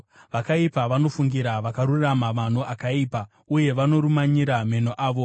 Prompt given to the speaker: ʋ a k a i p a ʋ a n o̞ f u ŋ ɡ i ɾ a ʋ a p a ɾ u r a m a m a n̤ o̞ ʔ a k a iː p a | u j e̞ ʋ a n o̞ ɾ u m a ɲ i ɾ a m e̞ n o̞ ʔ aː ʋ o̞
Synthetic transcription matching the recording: ʋ a k a i p a ʋ a n o̞ f u ŋ ɡ i ɾ a ʋ a k a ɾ u r a m a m a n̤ o̞ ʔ a k a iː p a | u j e̞ ʋ a n o̞ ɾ u m a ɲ i ɾ a m e̞ n o̞ ʔ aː ʋ o̞